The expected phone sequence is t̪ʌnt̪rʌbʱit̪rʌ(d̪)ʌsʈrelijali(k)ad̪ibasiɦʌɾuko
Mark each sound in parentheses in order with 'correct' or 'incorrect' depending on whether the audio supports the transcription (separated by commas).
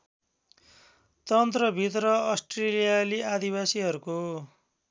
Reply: incorrect, incorrect